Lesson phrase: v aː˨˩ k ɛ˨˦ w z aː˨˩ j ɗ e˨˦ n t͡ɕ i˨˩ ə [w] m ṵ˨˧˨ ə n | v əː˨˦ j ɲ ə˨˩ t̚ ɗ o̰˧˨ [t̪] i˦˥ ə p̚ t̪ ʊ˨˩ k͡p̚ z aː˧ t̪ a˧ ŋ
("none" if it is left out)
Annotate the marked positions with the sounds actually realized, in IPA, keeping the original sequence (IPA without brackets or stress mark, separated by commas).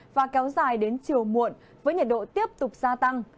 w, t̪